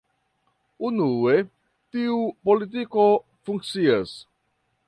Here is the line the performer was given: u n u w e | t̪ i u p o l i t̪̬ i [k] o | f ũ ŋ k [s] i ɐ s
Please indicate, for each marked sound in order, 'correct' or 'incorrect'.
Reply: correct, correct

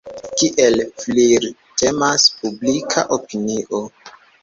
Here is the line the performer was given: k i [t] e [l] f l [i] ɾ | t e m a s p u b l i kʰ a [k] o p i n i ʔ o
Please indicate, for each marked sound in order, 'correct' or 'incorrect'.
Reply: incorrect, correct, correct, incorrect

